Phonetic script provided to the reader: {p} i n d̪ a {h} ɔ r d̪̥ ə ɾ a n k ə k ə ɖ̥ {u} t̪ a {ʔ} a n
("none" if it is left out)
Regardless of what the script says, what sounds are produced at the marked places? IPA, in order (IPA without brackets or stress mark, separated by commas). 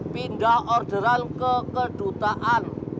p, h, u, ʔ